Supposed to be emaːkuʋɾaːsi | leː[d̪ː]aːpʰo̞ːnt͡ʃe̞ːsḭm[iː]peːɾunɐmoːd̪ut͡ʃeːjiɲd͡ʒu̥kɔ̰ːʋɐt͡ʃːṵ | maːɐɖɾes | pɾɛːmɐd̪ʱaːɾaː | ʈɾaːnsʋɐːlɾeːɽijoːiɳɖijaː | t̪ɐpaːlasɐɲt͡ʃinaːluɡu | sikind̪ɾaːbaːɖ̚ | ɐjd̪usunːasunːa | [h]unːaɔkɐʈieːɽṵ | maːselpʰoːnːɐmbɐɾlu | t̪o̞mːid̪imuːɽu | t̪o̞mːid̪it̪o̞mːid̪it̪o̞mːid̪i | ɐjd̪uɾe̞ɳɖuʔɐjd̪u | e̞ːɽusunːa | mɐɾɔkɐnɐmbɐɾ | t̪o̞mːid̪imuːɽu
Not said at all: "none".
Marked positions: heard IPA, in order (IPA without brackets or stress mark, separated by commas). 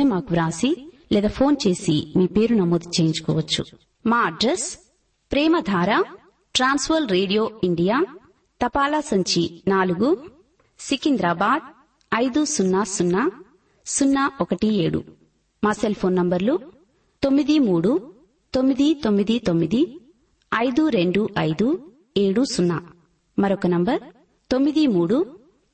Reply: d̪, iː, s